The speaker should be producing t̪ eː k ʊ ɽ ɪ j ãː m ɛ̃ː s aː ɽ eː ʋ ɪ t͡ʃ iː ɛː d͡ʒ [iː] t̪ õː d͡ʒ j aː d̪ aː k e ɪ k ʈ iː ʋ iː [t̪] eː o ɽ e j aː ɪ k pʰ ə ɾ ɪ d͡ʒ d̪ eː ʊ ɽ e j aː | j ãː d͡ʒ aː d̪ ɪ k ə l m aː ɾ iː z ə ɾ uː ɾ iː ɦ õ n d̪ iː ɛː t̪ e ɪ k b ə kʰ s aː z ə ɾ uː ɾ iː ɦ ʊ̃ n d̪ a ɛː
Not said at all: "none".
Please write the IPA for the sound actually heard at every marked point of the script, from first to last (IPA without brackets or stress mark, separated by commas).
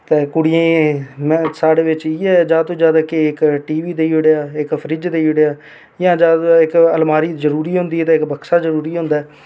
aː, d̪